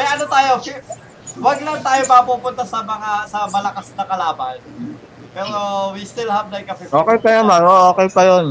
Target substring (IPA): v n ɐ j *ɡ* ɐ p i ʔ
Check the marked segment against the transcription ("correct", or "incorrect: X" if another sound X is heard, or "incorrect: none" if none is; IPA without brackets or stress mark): incorrect: k